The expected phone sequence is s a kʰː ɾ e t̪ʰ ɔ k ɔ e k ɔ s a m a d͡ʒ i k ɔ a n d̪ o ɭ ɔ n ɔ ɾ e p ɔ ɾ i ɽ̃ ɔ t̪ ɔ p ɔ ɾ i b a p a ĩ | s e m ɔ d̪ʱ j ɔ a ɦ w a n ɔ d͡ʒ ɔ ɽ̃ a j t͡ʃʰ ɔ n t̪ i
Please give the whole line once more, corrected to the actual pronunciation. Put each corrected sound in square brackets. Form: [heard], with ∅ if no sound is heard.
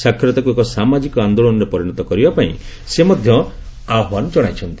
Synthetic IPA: s a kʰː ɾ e [t̪] ɔ k [u] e k ɔ s a m a d͡ʒ i k ɔ a n d̪ o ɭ ɔ n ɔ ɾ e p ɔ ɾ i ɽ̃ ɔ t̪ ɔ [k] ɔ ɾ i b a p a ĩ | s e m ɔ d̪ʱ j ɔ a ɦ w a n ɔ d͡ʒ ɔ ɽ̃ a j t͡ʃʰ ɔ n t̪ i